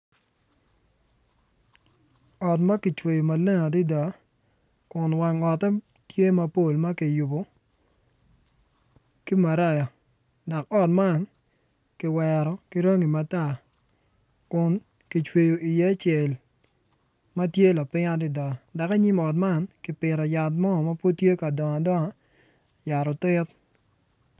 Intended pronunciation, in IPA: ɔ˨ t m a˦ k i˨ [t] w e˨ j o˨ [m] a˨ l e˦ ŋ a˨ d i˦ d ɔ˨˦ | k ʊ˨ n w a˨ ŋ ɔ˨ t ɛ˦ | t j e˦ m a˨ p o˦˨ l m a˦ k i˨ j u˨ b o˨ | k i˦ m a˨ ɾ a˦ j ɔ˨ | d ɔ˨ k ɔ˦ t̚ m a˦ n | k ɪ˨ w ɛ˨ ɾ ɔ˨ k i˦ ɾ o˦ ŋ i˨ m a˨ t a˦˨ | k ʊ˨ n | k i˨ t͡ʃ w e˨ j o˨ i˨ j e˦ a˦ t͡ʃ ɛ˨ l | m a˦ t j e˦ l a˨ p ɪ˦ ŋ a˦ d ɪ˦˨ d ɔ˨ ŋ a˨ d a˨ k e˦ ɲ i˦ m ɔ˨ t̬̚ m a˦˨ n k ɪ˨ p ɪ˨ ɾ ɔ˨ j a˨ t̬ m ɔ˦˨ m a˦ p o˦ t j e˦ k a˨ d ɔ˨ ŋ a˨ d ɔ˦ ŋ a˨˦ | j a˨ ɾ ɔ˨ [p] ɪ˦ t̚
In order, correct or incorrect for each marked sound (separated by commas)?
incorrect, correct, incorrect